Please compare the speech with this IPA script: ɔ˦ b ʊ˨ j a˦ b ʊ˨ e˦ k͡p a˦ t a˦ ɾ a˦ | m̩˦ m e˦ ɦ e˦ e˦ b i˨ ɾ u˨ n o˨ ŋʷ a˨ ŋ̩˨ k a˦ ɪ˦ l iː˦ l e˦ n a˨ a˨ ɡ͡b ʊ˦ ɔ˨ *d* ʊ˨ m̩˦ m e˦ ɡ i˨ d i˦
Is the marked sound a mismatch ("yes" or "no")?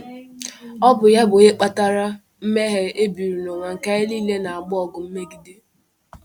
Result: yes